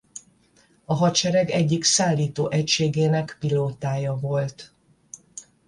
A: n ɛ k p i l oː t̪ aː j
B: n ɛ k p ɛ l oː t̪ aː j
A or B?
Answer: A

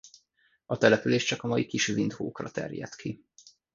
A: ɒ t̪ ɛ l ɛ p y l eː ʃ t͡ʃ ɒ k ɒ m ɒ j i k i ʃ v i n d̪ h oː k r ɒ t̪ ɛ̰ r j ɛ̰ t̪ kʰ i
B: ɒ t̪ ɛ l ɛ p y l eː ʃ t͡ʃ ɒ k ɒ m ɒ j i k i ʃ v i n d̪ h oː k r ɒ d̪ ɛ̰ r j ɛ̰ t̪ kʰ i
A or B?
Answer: A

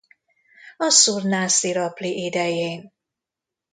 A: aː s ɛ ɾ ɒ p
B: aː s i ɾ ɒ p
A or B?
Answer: B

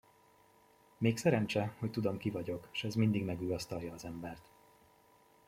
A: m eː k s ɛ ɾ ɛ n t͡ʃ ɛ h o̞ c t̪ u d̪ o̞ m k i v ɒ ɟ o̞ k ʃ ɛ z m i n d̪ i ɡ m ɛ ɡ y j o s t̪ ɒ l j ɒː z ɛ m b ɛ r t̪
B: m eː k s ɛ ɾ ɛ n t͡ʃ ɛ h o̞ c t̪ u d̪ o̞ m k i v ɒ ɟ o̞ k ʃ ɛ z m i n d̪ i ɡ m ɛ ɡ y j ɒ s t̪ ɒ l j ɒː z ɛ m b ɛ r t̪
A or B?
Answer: B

